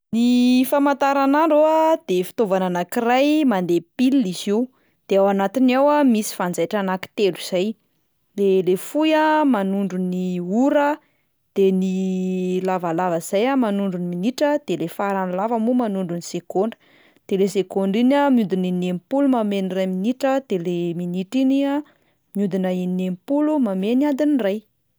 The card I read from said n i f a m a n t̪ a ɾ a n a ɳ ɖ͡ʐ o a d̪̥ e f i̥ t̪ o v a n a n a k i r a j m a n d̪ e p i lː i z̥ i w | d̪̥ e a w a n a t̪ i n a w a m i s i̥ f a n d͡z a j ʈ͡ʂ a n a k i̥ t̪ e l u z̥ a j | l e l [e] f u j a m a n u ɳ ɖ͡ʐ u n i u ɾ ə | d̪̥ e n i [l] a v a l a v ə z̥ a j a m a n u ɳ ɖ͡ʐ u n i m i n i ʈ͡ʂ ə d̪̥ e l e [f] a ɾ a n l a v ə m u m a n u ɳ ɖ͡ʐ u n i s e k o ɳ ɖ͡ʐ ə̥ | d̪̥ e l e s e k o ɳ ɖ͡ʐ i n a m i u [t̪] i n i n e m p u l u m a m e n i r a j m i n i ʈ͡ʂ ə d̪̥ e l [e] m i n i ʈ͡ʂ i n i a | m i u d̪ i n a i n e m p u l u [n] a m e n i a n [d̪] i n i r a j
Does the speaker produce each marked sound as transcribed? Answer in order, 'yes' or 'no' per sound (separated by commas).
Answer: yes, yes, yes, no, yes, no, yes